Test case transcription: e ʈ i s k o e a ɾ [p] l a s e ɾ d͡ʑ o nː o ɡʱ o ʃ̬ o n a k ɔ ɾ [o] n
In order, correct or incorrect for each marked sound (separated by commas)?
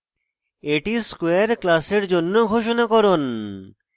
incorrect, correct